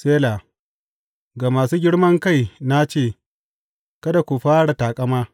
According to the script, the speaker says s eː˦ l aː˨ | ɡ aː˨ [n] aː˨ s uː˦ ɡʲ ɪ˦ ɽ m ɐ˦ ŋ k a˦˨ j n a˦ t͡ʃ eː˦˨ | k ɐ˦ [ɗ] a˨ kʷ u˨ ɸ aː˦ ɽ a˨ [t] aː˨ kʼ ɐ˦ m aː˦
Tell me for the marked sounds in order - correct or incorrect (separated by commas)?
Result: incorrect, incorrect, correct